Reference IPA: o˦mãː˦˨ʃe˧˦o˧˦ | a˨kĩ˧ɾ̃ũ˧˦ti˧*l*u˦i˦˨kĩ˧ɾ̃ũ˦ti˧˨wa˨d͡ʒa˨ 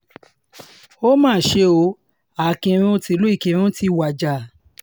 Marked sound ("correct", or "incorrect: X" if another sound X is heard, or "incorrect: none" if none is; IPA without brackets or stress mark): correct